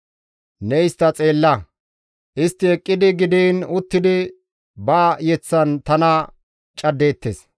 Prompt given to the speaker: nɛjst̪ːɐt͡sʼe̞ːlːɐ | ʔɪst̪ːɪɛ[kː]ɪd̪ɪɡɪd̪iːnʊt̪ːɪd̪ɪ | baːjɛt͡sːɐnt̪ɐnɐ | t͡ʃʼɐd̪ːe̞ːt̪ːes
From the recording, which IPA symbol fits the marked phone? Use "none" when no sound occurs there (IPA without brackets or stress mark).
kʼː